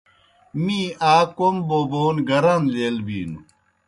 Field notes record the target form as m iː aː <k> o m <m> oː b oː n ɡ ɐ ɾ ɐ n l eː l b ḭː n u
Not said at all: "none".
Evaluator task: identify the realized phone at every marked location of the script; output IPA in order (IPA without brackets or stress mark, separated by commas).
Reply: k, b